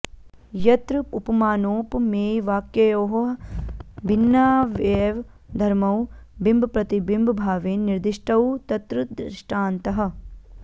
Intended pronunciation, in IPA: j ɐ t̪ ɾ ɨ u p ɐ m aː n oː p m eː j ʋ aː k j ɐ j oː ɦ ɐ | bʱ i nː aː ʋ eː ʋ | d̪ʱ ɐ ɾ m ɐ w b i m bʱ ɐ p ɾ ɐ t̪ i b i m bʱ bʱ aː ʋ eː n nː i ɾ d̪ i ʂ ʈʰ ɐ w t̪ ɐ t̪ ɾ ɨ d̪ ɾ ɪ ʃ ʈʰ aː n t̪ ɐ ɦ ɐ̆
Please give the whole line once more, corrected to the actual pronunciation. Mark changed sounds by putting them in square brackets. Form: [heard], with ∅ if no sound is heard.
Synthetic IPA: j ɐ t̪ ɾ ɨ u p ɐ m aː n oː p m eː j ʋ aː k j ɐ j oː ɦ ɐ | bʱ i nː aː ʋ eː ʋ | d̪ʱ ɐ ɾ m ɐ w b i m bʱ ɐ p ɾ ɐ t̪ i b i m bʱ bʱ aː ʋ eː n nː i ɾ d̪ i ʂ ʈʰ ɐ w t̪ ɐ t̪ ɾ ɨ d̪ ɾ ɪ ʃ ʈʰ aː n t̪ ɐ ɦ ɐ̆